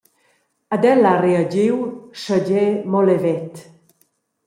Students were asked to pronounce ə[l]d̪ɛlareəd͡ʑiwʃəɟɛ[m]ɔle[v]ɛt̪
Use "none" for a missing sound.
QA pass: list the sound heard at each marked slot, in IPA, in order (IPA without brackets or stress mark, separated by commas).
none, m, v